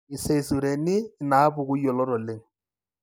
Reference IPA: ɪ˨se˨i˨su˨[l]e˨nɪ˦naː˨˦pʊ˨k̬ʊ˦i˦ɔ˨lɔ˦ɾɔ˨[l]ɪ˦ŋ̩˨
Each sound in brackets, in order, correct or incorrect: incorrect, correct

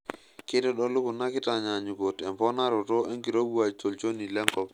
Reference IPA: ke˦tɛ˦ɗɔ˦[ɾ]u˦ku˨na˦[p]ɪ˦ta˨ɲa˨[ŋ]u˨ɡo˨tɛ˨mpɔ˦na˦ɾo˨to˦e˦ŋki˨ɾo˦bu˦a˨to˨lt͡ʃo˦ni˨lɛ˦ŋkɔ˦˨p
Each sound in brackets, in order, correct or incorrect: incorrect, incorrect, incorrect

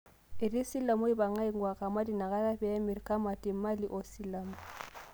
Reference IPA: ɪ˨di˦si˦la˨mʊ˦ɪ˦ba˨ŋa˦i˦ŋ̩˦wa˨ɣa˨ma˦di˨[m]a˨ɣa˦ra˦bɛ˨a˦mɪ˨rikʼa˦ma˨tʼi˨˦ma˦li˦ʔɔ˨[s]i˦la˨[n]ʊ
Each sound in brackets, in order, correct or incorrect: incorrect, correct, incorrect

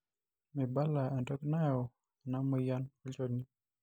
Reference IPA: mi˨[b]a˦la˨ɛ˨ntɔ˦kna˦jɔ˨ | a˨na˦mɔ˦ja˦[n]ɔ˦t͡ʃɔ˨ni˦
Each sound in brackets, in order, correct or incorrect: correct, correct

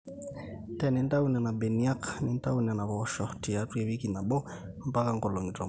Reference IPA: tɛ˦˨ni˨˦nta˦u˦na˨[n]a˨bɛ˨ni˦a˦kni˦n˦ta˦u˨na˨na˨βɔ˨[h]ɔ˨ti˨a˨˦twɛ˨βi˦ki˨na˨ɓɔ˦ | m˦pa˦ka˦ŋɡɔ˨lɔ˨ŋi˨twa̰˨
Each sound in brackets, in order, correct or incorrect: correct, incorrect

